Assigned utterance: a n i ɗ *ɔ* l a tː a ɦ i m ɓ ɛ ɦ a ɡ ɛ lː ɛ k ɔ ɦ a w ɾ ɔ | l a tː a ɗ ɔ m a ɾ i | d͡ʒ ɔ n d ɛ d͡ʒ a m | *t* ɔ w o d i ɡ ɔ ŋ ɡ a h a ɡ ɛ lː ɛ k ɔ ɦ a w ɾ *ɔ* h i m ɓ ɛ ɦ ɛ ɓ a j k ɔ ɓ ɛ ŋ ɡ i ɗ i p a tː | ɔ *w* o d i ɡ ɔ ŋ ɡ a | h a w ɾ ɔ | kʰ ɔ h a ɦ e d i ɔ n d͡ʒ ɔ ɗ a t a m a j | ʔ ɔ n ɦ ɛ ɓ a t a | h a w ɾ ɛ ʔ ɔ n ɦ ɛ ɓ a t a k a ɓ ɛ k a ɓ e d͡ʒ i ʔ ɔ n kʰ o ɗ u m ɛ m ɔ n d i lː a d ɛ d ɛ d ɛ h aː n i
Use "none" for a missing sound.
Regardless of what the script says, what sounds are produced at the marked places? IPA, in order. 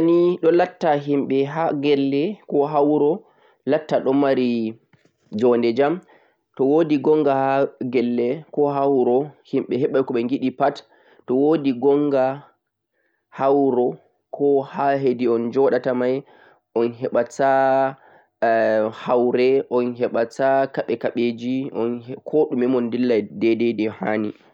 ɔ, t, ɔ, w

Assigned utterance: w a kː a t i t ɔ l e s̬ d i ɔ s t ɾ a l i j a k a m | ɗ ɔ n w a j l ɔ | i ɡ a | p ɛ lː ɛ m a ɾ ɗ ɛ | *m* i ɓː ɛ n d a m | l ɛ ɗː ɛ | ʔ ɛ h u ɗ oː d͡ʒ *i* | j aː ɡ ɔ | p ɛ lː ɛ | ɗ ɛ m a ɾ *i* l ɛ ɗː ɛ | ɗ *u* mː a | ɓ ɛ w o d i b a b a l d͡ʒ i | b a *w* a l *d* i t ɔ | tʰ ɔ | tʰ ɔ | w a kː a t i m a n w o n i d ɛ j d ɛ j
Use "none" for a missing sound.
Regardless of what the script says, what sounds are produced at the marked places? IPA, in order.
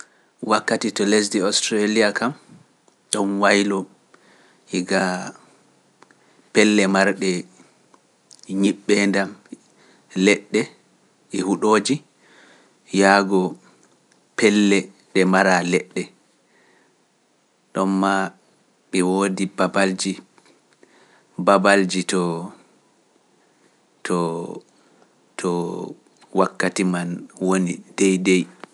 ɲ, i, a, ɔ, b, d͡ʒ

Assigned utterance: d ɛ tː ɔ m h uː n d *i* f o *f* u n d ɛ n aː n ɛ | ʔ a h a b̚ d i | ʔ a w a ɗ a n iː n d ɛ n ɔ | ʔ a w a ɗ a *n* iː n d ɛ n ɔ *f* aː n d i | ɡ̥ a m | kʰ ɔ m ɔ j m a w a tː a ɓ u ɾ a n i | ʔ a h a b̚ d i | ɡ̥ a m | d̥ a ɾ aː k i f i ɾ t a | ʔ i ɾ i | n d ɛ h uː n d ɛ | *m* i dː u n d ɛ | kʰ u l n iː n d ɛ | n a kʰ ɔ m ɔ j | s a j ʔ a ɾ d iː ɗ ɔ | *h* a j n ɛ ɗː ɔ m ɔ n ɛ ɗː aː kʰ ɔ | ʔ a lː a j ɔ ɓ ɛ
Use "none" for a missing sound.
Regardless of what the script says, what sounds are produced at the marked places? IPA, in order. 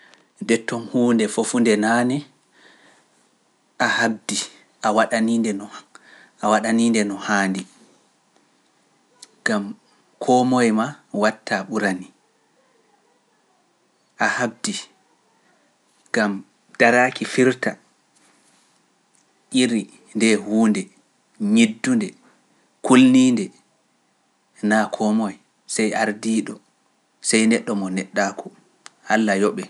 ɛ, f, n, h, ɲ, s

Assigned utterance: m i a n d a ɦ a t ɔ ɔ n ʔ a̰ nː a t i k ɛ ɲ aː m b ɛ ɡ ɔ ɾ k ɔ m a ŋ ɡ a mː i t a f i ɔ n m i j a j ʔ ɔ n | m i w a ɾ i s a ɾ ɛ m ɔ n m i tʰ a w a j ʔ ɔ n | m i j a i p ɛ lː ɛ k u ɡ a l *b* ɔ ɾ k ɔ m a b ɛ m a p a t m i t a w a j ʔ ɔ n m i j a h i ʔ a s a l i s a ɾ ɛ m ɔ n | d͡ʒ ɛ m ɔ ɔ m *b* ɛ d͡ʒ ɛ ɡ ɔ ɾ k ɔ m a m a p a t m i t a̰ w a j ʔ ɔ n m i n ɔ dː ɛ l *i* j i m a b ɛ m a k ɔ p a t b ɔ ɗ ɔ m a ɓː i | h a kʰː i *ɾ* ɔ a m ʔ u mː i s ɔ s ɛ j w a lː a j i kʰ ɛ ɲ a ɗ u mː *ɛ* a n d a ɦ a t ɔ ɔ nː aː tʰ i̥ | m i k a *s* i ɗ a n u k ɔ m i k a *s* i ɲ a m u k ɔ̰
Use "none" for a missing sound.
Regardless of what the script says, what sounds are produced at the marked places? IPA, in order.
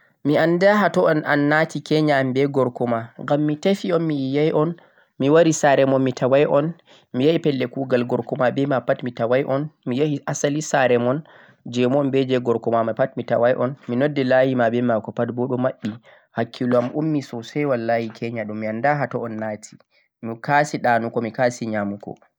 ɡ, b, a, l, i, s, s

